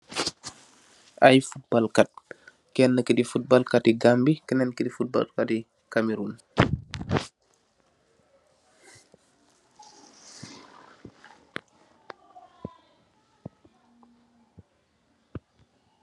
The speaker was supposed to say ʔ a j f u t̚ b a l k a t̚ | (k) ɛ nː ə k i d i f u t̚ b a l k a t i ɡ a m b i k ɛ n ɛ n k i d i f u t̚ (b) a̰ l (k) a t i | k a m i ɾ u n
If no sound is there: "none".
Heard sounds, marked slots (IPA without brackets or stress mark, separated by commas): k, b, k